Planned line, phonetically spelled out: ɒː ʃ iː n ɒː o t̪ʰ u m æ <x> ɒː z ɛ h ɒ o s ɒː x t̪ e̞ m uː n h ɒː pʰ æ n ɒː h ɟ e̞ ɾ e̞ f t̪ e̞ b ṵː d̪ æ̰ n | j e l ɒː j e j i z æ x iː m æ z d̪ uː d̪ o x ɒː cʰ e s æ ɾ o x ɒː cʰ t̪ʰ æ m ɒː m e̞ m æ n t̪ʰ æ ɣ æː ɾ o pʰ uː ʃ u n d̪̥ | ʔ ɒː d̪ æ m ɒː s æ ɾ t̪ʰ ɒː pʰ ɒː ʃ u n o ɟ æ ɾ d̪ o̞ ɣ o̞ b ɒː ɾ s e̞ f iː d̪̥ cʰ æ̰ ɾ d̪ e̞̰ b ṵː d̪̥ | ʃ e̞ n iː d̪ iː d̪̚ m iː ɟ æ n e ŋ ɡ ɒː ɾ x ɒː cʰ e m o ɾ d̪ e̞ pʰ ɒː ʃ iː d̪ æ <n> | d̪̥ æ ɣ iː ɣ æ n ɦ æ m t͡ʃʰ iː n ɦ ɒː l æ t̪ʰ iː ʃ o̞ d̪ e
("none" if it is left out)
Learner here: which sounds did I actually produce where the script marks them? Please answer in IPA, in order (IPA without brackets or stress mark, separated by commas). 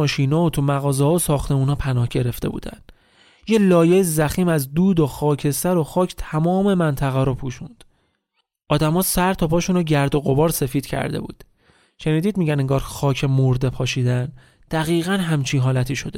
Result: ɣ, n